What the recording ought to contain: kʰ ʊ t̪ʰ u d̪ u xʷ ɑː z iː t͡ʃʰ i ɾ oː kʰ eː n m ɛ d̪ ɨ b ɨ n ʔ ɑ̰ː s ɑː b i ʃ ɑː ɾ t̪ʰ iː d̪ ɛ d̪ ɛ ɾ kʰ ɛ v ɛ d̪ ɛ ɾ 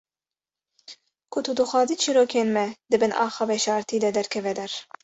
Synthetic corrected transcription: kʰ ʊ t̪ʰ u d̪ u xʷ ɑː z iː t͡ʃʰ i ɾ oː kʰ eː n m ɛ d̪ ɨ b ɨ n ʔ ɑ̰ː x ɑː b ɛ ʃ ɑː ɾ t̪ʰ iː d̪ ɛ d̪ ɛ ɾ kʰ ɛ v ɛ d̪ ɛ ɾ